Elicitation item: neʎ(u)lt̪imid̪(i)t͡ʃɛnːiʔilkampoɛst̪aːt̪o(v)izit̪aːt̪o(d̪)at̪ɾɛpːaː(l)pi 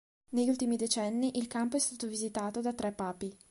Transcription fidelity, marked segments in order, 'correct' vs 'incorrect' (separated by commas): correct, incorrect, correct, correct, incorrect